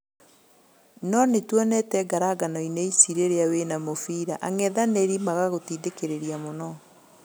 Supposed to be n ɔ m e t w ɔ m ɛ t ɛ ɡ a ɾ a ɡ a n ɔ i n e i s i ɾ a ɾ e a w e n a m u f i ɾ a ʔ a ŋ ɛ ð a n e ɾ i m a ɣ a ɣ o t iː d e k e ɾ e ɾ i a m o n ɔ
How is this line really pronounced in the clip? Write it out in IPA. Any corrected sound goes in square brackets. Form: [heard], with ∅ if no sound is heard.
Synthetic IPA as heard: n ɔ [n] e t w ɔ [n] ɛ t ɛ ɡ a ɾ a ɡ a n ɔ i n e i s i ɾ [e] ɾ e a w e n a m [o] f i ɾ a ʔ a ŋ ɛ ð a n e ɾ i m a ɣ a ɣ o t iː d e k e ɾ e ɾ i a m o n ɔ

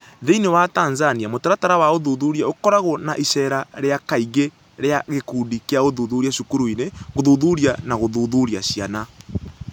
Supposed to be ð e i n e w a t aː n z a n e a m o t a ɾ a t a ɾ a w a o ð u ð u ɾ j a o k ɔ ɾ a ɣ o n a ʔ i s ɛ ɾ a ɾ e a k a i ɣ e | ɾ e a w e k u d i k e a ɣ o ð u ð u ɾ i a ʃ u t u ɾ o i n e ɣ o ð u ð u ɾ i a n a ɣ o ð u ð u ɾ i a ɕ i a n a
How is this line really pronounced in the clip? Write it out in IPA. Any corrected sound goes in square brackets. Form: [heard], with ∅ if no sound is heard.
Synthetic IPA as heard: ð e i n e w a t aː n z a n [i] a m o t a ɾ a t a ɾ a w a o ð u ð u ɾ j a o k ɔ ɾ a ɣ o n a ʔ i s ɛ ɾ a ɾ e a k a i ɣ e | ɾ e a [ɣ] e k u d i k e a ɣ o ð u ð u ɾ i a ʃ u [k] u ɾ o i n e ɣ o ð u ð u ɾ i a n a ɣ o ð u ð u ɾ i a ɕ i a n a

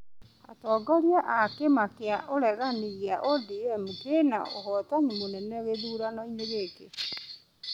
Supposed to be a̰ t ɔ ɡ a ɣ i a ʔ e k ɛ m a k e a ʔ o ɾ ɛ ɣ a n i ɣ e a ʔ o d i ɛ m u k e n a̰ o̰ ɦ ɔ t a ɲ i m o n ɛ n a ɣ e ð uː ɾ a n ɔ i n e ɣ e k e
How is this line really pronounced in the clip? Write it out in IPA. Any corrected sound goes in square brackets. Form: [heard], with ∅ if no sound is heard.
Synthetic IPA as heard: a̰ t ɔ ɡ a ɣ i a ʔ [a] k [e] m a k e a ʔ o ɾ ɛ ɣ a n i ɣ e a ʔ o d i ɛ m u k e n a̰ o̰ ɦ ɔ t a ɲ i m o n ɛ n [ɛ] ɣ e ð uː ɾ a n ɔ i n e ɣ e k e

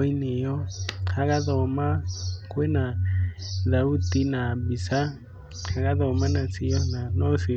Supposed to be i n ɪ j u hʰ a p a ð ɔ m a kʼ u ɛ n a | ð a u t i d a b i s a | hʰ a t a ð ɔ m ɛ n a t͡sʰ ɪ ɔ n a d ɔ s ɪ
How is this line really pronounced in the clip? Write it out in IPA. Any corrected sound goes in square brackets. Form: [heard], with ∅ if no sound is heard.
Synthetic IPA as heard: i n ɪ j [ɔ] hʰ a [k] a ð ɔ m a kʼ [w] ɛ n a | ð a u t i [n] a b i s a | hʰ a [k] a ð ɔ m [a] n a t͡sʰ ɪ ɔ n a [n] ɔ s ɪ

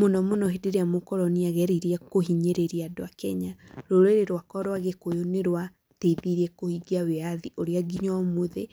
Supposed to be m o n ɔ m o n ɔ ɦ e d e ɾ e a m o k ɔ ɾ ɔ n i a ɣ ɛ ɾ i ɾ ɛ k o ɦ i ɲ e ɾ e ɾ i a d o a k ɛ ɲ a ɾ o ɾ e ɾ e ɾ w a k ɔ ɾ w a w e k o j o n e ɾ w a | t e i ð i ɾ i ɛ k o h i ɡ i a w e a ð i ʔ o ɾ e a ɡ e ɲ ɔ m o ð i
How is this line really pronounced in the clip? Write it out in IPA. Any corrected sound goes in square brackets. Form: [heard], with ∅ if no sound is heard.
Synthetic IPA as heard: m o n ɔ m o n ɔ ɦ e d e ɾ e a m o k ɔ ɾ ɔ n i a ɣ ɛ ɾ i ɾ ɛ k o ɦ i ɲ e ɾ e ɾ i a d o a k ɛ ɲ a ɾ o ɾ e ɾ e ɾ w a k ɔ ɾ w a [ɣ] e k o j o n e ɾ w a | t e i ð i ɾ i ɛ k o h i ɡ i a w e a ð i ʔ o ɾ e a ɡ [i] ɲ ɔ m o ð [e]

